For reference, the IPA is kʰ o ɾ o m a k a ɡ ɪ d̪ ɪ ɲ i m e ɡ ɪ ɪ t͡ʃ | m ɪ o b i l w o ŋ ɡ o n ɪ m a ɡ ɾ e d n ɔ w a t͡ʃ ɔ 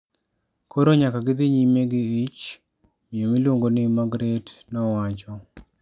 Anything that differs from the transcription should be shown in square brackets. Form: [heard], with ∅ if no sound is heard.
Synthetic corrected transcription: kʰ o ɾ o [ɲ] a k a ɡ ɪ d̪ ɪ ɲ i m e ɡ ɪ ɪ t͡ʃ | m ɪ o [m] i l w o ŋ ɡ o n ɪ m a ɡ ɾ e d n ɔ w a t͡ʃ ɔ